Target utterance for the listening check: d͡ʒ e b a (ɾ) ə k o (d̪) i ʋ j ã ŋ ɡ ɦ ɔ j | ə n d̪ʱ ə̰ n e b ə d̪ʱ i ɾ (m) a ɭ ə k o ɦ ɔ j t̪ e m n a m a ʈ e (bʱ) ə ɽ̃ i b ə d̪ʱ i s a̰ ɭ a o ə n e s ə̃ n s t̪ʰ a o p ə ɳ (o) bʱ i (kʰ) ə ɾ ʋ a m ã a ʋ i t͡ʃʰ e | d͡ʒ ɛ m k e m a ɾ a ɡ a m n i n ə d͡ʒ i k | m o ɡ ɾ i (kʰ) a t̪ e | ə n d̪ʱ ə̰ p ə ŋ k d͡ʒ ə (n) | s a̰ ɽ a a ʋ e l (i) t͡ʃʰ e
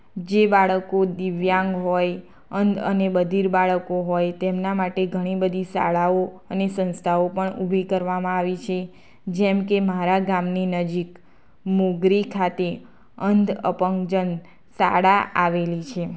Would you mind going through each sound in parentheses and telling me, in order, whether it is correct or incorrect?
incorrect: ɭ, correct, incorrect: b, incorrect: ɡʱ, incorrect: u, incorrect: k, correct, correct, correct

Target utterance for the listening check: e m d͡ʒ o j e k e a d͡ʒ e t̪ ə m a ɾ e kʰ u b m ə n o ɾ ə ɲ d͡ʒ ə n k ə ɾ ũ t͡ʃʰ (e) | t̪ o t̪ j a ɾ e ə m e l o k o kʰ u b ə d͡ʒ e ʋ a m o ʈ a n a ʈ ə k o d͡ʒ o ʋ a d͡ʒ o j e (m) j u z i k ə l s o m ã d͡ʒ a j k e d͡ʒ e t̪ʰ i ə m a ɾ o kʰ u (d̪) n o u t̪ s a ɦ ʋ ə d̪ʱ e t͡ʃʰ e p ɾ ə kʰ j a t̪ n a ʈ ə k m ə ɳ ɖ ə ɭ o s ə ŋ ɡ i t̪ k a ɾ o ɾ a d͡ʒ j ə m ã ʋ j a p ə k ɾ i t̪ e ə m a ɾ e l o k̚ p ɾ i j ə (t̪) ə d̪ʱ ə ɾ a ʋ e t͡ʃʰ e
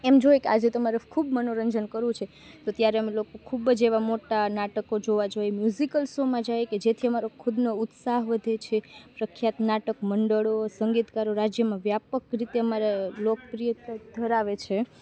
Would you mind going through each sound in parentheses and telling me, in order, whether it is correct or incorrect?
correct, correct, correct, correct

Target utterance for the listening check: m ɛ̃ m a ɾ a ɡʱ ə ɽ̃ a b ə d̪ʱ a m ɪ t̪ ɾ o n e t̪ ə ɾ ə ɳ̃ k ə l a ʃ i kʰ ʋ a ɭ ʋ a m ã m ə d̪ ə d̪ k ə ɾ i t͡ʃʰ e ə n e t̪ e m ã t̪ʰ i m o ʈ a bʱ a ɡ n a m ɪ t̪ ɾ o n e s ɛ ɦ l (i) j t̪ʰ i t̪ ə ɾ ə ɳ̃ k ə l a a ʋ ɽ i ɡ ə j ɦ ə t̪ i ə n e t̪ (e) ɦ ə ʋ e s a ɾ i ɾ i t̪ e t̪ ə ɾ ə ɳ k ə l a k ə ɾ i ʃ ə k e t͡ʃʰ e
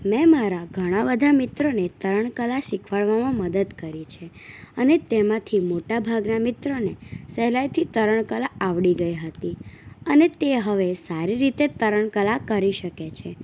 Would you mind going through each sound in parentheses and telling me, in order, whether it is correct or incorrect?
incorrect: a, correct

